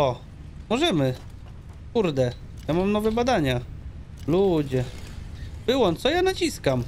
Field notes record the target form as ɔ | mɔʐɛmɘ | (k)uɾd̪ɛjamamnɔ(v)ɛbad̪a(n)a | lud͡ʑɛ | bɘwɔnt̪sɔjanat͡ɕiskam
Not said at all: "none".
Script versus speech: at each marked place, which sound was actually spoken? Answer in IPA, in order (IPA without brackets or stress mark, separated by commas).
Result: k, v, ɲ